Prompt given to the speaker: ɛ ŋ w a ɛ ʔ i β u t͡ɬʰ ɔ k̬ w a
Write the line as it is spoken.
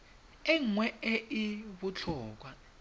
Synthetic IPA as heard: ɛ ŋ w ɛ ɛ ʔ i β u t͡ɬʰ ɔː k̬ w a